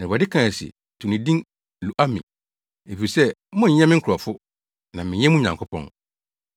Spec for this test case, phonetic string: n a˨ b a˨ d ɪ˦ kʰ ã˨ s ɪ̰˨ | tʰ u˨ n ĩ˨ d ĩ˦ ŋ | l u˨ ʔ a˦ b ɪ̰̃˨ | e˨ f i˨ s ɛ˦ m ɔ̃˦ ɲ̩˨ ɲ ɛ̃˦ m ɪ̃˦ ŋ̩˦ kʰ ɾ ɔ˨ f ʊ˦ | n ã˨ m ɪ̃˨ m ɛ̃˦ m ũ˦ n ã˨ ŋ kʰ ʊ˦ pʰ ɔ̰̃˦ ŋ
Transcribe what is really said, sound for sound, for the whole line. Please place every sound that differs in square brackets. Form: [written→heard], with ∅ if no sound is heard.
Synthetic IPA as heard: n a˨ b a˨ d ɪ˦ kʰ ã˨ s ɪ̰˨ | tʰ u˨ n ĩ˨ d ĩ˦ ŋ | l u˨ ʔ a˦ [b→m] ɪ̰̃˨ | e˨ f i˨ s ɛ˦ m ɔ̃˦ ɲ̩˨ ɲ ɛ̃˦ m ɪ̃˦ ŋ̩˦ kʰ ɾ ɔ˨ f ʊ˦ | n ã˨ m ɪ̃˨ [m→ɲ] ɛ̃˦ m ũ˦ [n→ɲ] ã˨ ŋ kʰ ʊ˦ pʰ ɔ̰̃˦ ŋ

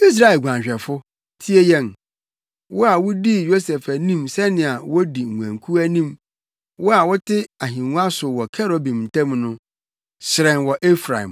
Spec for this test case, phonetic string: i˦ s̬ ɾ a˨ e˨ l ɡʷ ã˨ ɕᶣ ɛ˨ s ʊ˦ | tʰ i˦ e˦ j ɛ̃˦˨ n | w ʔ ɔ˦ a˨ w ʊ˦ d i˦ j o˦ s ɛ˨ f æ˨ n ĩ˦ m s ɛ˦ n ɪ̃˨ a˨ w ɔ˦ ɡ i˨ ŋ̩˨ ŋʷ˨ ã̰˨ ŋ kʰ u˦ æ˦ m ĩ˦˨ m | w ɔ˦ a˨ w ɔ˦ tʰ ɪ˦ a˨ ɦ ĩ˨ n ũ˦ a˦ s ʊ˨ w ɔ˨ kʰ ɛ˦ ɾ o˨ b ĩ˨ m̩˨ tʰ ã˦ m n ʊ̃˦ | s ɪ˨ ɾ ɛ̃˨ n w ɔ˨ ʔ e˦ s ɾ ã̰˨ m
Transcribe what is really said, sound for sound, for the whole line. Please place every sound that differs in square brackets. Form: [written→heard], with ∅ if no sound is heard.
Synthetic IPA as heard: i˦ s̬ ɾ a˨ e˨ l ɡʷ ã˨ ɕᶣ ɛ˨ [s→f] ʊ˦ | tʰ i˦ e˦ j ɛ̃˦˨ n | w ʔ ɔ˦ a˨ w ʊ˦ d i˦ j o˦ s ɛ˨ f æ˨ n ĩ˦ m s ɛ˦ n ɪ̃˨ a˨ w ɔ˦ [ɡ→d] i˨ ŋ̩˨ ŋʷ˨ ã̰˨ ŋ kʰ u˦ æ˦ [m→n] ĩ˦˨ m | w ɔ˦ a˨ w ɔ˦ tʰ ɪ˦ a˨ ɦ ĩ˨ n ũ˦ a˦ s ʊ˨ w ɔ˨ kʰ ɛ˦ ɾ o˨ b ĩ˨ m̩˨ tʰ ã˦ m n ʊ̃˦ | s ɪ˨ ɾ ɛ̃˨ n w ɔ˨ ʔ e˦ [s→f] ɾ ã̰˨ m

